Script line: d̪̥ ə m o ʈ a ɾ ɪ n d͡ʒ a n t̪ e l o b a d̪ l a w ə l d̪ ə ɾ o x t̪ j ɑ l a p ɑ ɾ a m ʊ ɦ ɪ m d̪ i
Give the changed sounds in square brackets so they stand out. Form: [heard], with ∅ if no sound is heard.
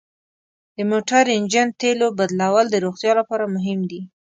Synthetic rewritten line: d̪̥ ə m o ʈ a ɾ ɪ n d͡ʒ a n t̪ e l o b a d̪ l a w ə l d̪ ə ɾ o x t̪ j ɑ l a p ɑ ɾ a m ʊ ɦ ɪ m d̪ i